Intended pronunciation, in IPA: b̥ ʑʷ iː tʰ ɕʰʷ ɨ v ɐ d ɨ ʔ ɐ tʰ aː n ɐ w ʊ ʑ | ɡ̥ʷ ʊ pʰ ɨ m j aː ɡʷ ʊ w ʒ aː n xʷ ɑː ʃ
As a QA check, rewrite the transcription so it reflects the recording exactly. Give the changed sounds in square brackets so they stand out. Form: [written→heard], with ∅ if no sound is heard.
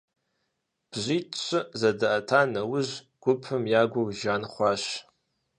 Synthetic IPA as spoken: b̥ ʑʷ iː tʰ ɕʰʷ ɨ [v→z] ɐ d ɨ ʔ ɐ tʰ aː n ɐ w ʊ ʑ | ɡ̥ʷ ʊ pʰ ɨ m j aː ɡʷ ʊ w ʒ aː n [xʷ→χʷ] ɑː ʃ